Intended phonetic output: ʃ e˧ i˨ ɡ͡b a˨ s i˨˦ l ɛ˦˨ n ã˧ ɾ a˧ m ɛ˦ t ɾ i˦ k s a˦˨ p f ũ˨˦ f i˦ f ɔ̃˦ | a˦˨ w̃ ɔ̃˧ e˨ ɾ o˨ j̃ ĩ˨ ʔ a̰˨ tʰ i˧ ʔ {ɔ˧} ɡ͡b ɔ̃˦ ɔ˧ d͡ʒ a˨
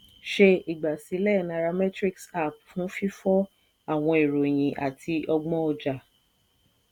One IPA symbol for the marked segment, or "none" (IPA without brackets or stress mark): ɔ˧